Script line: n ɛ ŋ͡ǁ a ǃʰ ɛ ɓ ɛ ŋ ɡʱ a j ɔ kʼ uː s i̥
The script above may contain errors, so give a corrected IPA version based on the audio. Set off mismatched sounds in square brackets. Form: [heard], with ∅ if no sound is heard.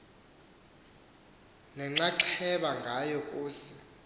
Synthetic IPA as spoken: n ɛ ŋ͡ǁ a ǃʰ ɛ ɓ [a] ŋ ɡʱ a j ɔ kʼ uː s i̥